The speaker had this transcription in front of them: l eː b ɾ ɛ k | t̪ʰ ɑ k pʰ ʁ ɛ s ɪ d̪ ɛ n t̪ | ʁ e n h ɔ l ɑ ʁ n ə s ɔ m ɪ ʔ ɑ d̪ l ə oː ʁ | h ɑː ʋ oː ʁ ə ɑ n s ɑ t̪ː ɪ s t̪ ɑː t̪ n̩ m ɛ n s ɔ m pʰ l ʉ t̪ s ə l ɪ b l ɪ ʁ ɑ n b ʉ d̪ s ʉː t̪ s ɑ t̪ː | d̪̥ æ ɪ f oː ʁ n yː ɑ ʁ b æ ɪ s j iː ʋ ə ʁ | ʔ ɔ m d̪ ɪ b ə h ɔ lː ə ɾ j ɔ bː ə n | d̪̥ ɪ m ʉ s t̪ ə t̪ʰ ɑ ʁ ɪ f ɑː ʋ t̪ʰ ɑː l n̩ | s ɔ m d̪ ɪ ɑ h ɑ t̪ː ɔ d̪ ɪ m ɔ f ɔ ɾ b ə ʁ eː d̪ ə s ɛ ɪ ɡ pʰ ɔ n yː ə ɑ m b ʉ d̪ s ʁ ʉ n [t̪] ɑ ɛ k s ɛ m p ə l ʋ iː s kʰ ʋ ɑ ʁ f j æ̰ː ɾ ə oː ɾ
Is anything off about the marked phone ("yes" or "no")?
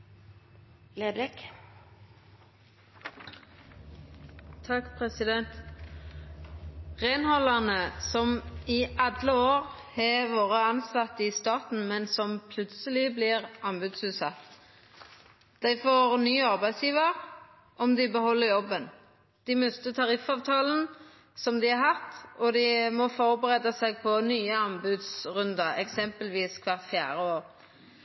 yes